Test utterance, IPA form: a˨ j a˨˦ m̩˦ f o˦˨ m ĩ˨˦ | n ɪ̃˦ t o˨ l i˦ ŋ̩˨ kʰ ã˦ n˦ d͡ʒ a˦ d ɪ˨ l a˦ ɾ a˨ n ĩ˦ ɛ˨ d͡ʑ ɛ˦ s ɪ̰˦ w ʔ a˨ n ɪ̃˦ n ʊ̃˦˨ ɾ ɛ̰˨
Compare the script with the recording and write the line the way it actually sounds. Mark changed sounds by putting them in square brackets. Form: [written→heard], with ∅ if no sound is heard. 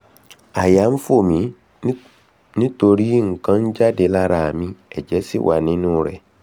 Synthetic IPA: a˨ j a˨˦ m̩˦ f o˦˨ m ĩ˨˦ | n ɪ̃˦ t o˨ [l→ɾ] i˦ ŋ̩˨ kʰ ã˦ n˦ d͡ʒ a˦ d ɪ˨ l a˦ ɾ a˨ [n→m] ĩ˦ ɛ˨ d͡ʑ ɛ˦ s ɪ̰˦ w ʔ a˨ n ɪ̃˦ n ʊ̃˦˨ ɾ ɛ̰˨